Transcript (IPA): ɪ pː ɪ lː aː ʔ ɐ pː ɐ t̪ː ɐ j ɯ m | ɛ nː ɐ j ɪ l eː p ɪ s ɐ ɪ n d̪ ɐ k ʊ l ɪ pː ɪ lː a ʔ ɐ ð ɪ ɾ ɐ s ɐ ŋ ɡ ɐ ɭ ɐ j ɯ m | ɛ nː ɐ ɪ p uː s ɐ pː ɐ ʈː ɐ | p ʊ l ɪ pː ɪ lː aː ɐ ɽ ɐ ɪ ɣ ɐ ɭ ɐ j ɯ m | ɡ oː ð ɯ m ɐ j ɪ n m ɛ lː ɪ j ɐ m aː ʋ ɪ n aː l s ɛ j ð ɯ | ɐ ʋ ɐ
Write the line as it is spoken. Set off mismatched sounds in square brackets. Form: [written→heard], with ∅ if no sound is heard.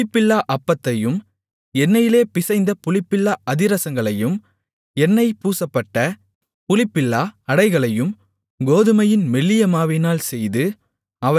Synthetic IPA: ɪ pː ɪ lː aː ʔ ɐ pː ɐ t̪ː ɐ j ɯ m | ɛ nː ɐ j ɪ l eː p ɪ s ɐ ɪ n d̪ ɐ [k→p] ʊ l ɪ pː ɪ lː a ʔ ɐ ð ɪ ɾ ɐ s ɐ ŋ ɡ ɐ ɭ ɐ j ɯ m | ɛ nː ɐ ɪ p uː s ɐ pː ɐ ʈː ɐ | p ʊ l ɪ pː ɪ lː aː ɐ ɽ ɐ ɪ ɣ ɐ ɭ ɐ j ɯ m | ɡ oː ð ɯ m ɐ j ɪ n m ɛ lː ɪ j ɐ m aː ʋ ɪ n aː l s ɛ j ð ɯ | ɐ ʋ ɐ